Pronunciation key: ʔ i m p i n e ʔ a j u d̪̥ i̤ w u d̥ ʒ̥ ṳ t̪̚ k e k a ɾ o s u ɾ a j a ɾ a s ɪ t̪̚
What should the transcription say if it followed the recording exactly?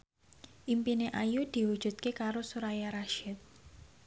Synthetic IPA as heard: ʔ i m p i n e ʔ a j u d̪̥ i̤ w u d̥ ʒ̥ ṳ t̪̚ k e k a ɾ o s u ɾ a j a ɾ a ʃ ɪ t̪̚